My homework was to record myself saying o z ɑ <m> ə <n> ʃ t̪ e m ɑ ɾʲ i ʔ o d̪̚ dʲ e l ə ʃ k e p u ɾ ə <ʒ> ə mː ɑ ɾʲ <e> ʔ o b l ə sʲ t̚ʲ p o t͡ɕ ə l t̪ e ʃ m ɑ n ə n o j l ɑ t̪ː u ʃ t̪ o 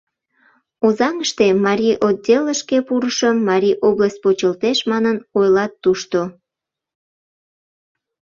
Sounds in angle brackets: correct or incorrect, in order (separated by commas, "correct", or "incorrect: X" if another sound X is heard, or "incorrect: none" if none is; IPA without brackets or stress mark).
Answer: incorrect: ŋ, incorrect: none, incorrect: ʃ, incorrect: i